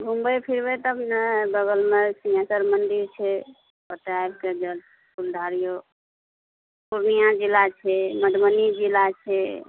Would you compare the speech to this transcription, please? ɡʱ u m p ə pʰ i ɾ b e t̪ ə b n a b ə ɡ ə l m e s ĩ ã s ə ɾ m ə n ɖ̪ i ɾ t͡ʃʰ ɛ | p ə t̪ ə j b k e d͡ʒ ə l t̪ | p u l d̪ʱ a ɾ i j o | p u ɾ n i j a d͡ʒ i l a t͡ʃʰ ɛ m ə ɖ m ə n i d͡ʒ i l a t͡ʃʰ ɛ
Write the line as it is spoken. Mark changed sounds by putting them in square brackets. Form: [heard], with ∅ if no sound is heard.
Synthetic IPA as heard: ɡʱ u m [b] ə pʰ i ɾ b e t̪ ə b n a b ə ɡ ə l m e s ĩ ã s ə ɾ m ə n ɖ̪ i ɾ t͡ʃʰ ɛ | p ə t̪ [a] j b k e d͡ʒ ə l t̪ | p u l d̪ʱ a ɾ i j o | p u ɾ n i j a d͡ʒ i l a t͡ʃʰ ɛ m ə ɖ m ə n i d͡ʒ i l a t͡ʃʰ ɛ